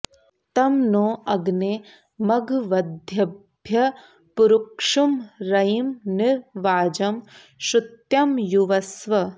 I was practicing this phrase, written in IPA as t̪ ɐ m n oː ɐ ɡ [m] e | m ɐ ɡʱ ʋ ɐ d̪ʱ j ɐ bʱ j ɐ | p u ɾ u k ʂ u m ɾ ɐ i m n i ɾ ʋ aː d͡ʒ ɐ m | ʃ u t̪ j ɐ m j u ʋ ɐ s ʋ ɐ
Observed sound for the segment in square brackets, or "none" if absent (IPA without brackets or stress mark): n